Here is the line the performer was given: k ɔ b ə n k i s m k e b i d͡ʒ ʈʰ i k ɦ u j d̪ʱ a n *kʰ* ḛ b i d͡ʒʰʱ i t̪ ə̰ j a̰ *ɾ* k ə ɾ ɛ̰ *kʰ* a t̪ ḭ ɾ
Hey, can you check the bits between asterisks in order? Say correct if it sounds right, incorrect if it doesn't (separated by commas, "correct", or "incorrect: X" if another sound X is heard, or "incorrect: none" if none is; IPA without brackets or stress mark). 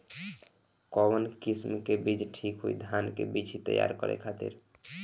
incorrect: k, correct, correct